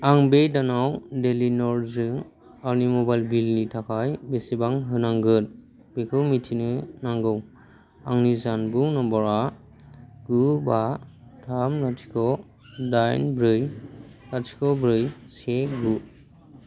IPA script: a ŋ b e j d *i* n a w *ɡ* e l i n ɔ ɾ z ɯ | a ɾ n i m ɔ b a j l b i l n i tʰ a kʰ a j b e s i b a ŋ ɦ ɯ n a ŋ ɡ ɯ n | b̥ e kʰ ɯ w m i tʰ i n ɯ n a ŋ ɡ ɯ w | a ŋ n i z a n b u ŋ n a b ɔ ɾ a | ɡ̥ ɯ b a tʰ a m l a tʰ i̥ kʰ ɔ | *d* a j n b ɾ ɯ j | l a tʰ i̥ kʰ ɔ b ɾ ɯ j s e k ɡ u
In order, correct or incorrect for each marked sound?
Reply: incorrect, incorrect, correct

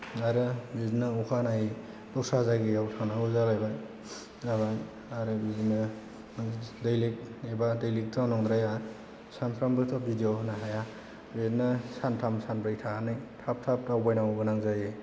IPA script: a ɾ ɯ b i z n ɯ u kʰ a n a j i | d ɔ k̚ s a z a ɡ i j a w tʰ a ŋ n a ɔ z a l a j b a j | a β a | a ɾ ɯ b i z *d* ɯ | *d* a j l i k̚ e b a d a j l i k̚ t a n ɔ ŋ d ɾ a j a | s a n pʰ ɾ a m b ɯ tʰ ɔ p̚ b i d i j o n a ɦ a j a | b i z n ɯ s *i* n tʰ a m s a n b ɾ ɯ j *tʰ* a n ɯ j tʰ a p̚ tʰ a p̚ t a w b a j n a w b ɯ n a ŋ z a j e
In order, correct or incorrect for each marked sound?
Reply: incorrect, correct, incorrect, correct

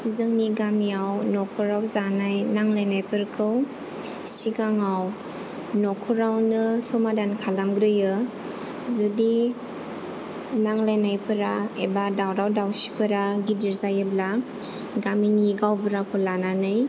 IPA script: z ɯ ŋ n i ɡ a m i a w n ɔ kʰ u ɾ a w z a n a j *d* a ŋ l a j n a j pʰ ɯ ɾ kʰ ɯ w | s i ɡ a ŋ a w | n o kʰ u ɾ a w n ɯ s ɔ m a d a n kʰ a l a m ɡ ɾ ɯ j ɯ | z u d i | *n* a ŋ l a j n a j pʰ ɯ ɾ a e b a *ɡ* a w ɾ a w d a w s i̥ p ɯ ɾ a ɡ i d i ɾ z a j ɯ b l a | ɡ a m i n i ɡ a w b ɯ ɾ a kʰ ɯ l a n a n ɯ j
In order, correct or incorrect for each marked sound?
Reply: incorrect, correct, incorrect

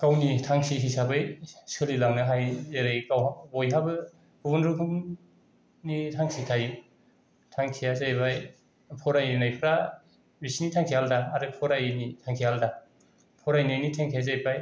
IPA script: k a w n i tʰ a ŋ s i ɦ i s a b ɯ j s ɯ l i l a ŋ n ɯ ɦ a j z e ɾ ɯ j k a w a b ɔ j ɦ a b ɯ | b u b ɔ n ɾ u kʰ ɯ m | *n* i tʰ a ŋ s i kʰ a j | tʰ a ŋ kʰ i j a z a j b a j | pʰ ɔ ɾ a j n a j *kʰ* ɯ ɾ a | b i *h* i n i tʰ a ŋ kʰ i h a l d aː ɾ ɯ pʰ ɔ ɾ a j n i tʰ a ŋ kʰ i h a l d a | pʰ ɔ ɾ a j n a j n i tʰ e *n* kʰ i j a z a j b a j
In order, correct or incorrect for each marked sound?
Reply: correct, incorrect, incorrect, incorrect

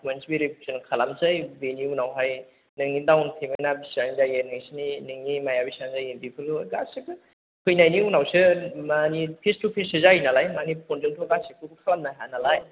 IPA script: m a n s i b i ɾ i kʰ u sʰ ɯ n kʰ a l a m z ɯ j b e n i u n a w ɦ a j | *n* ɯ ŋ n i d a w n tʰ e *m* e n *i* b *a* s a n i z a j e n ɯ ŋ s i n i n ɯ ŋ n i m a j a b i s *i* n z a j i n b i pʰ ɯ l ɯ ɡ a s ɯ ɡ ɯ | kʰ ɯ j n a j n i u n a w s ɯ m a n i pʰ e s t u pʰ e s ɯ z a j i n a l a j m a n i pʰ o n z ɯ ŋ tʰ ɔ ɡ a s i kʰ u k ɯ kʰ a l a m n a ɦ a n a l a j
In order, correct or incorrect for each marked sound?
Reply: correct, correct, incorrect, incorrect, incorrect

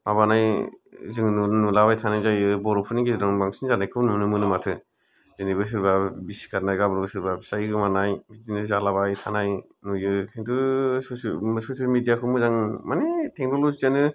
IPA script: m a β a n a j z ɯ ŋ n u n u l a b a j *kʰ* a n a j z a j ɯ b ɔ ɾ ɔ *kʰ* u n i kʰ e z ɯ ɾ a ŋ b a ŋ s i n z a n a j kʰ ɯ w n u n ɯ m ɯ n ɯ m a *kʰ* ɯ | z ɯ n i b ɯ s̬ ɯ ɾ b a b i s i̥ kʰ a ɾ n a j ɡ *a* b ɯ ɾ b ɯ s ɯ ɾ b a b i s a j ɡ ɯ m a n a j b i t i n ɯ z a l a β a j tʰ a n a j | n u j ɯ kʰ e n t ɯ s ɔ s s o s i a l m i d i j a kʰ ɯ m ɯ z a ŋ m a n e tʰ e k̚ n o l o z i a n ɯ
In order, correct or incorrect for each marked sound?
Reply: incorrect, incorrect, incorrect, correct

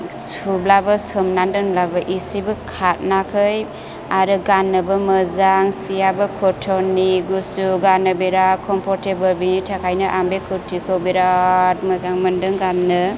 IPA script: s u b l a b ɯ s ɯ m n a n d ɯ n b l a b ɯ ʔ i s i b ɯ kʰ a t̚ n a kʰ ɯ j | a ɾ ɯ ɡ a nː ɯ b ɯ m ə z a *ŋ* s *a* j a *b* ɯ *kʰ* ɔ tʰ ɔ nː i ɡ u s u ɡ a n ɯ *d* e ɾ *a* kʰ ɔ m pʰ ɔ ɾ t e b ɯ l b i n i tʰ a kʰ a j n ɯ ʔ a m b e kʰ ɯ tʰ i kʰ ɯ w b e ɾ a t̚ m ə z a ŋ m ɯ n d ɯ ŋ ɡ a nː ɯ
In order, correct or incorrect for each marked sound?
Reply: correct, incorrect, correct, correct, incorrect, correct

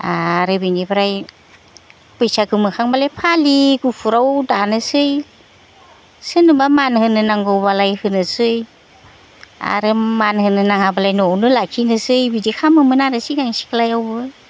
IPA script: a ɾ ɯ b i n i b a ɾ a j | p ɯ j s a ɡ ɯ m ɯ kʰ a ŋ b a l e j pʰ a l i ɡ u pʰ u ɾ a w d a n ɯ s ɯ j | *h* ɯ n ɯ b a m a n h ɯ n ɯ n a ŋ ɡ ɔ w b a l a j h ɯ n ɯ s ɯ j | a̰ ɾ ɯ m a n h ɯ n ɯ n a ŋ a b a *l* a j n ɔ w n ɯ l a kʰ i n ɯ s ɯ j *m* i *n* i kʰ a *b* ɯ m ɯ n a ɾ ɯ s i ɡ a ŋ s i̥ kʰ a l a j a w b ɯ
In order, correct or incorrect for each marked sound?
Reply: incorrect, correct, incorrect, incorrect, incorrect

